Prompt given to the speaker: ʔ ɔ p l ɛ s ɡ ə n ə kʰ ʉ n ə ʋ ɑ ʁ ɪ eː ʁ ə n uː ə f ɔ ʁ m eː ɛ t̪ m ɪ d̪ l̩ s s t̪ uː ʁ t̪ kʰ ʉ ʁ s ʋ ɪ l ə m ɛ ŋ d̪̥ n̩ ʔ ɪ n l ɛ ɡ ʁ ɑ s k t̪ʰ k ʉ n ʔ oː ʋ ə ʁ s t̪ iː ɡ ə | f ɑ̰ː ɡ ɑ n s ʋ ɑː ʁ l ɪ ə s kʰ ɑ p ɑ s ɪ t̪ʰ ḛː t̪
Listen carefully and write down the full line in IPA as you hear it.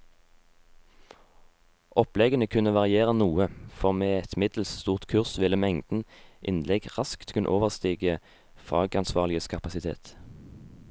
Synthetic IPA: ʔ ɔ p l ɛ ɡ ə n ə kʰ ʉ n ə ʋ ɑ ʁ ɪ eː ʁ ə n uː ə f ɔ ʁ m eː ɛ t̪ m ɪ d̪ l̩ s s t̪ uː ʁ t̪ kʰ ʉ ʁ s ʋ ɪ l ə m ɛ ŋ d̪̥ n̩ ʔ ɪ n l ɛ ɡ ʁ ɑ s k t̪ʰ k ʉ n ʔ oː ʋ ə ʁ s t̪ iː ɡ ə | f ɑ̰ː ɡ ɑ n s ʋ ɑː ʁ l ɪ ə s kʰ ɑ p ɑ s ɪ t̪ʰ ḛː t̪